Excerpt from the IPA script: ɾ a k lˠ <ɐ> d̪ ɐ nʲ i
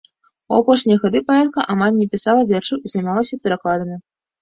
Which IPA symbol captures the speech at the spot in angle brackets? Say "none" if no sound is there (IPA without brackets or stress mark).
a